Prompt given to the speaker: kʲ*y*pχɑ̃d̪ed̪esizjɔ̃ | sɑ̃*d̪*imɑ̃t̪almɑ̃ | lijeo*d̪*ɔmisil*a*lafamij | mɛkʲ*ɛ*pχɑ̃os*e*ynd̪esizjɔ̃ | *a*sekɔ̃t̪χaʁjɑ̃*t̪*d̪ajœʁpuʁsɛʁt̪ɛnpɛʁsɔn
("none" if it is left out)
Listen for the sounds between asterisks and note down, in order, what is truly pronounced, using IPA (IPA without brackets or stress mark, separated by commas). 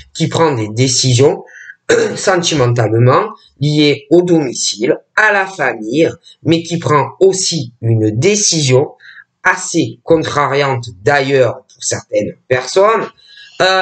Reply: i, t̪, d̪, a, i, i, a, t̪